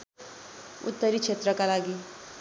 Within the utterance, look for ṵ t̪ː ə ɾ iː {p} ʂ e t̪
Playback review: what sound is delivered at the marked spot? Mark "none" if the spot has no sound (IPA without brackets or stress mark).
k